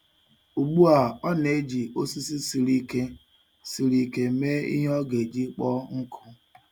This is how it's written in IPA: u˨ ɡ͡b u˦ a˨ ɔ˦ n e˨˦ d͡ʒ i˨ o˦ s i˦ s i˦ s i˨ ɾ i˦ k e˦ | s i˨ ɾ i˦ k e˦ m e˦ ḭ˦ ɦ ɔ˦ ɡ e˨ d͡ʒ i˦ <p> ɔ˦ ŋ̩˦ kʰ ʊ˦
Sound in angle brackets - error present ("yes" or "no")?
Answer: yes